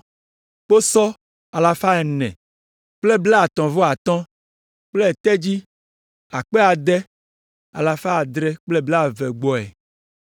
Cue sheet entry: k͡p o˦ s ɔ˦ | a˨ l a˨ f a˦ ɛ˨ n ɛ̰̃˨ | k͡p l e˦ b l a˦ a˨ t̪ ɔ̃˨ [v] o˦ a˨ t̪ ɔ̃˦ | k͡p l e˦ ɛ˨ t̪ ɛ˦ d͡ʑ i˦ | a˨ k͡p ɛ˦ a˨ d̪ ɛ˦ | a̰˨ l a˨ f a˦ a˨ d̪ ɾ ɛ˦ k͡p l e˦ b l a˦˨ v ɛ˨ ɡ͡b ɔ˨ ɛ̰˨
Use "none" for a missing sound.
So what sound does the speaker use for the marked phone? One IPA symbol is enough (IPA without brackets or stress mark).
v